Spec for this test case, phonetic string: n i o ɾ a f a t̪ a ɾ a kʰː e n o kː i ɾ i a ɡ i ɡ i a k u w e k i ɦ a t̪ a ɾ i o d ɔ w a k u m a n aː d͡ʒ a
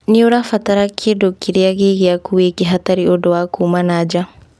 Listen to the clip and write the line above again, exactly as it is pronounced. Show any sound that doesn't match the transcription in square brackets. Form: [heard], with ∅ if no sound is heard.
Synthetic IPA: n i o ɾ a f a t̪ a ɾ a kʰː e [d] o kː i ɾ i a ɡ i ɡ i a k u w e k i ɦ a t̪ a ɾ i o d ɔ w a k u m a n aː d͡ʒ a